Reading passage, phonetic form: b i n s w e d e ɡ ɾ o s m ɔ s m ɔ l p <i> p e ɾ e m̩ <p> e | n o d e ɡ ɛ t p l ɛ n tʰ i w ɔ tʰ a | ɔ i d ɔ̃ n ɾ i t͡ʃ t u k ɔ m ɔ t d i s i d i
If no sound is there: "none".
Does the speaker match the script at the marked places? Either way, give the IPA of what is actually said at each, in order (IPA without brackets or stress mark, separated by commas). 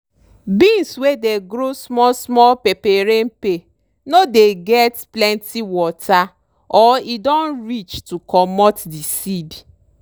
e, p